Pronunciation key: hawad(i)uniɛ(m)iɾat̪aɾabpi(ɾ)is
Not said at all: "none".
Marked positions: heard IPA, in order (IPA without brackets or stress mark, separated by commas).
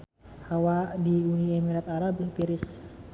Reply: i, m, ɾ